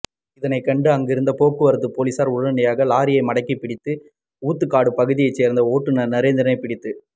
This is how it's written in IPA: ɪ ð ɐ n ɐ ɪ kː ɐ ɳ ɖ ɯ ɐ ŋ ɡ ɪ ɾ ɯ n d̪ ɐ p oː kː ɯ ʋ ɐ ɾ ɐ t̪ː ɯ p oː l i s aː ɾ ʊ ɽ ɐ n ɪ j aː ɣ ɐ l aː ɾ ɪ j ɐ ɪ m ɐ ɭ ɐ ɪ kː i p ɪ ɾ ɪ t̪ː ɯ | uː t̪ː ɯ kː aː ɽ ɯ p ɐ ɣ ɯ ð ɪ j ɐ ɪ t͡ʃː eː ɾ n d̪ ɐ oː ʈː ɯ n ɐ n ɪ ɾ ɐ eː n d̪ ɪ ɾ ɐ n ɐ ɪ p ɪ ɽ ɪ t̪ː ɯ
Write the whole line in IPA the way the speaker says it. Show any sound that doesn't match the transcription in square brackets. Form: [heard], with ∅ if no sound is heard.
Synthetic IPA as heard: ɪ ð ɐ n ɐ ɪ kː ɐ ɳ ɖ ɯ ɐ ŋ ɡ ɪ ɾ ɯ n d̪ ɐ p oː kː ɯ ʋ ɐ ɾ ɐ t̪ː ɯ p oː l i s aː ɾ ʊ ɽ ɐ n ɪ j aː ɣ ɐ l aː ɾ ɪ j ɐ ɪ m ɐ [ɽ] ɐ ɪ kː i p ɪ [ɽ] ɪ t̪ː ɯ | uː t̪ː ɯ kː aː ɽ ɯ p ɐ ɣ ɯ ð ɪ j ɐ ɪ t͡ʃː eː ɾ n d̪ ɐ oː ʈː ɯ n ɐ n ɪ ɾ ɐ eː n d̪ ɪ ɾ ɐ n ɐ ɪ p ɪ ɽ ɪ t̪ː ɯ